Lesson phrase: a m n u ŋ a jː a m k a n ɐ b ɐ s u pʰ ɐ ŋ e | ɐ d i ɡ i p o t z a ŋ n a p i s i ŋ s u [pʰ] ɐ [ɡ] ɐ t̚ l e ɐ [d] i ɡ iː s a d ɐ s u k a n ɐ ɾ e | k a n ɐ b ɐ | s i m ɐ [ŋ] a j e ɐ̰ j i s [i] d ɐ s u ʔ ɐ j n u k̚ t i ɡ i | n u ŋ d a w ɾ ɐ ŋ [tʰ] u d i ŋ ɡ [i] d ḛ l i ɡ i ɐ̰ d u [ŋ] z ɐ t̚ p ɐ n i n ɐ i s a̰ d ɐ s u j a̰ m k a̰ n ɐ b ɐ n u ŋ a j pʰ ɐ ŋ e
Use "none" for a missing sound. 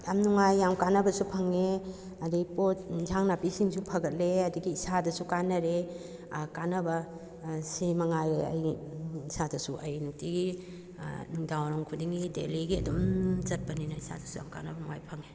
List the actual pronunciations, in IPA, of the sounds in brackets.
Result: pʰ, ɡ, d, ŋ, a, kʰ, i, m

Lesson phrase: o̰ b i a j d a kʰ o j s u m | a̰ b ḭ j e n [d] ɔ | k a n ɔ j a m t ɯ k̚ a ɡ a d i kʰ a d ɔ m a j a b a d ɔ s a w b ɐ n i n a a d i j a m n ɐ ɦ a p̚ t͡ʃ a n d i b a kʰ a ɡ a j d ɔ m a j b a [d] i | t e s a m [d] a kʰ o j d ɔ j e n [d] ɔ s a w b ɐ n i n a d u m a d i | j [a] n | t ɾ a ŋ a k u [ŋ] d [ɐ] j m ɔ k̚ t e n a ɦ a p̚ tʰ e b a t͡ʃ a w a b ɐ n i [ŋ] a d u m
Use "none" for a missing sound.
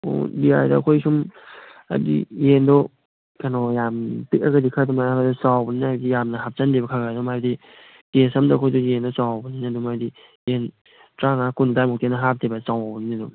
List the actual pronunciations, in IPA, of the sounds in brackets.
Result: d, d, d, d, e, n, a, n

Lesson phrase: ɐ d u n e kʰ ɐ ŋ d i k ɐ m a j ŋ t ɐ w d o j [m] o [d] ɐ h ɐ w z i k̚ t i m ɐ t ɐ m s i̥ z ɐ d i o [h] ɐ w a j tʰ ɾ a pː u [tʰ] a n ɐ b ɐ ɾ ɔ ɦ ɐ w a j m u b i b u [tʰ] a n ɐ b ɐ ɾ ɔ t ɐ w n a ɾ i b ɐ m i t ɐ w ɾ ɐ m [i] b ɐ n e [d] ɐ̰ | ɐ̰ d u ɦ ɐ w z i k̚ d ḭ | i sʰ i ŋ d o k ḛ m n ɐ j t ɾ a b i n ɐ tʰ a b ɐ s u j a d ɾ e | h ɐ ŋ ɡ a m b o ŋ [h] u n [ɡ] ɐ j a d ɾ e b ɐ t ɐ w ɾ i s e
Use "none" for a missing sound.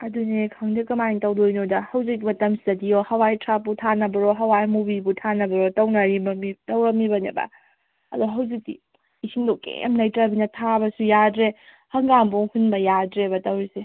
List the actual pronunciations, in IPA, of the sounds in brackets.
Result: n, d, h, tʰ, tʰ, i, b, h, b

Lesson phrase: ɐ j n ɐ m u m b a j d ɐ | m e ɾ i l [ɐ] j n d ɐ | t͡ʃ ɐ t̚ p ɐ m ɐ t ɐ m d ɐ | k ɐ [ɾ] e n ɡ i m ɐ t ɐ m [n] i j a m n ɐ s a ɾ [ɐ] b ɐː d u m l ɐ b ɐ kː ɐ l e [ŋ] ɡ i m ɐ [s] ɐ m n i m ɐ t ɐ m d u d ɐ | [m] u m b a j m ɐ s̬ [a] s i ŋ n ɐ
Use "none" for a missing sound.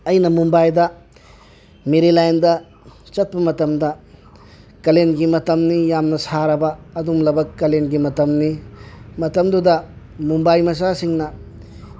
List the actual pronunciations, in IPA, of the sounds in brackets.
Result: a, l, n, ɐ, n, t, m, a

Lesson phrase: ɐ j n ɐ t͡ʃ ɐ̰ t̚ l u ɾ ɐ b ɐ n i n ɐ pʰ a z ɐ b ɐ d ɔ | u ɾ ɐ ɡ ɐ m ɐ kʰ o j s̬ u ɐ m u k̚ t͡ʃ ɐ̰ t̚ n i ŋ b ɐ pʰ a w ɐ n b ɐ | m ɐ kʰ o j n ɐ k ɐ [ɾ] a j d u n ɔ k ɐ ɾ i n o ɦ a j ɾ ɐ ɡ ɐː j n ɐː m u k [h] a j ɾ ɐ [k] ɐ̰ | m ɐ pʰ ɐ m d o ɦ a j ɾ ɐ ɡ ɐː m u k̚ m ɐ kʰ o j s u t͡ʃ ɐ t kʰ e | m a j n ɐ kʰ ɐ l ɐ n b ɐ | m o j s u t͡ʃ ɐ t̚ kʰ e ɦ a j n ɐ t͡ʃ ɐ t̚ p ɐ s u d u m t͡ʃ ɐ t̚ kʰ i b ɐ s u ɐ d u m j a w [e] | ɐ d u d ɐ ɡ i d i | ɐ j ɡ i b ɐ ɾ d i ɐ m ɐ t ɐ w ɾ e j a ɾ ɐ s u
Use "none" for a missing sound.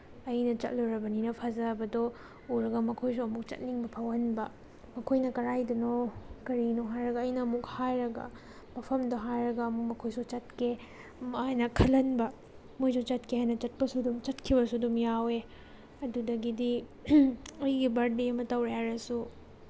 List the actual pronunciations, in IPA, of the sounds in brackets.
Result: ɾ, h, ɡ, e

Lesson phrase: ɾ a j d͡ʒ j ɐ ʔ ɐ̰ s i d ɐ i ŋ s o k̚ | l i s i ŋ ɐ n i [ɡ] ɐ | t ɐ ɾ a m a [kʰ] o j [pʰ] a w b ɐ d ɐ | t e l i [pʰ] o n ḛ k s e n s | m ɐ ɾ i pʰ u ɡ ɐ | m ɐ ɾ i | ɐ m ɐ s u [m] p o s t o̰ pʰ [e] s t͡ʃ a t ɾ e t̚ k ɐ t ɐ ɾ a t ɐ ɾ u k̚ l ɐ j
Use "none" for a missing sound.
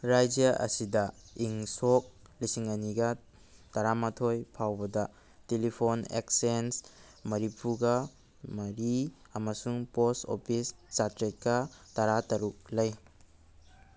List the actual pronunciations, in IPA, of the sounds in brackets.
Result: ɡ, tʰ, pʰ, pʰ, ŋ, i

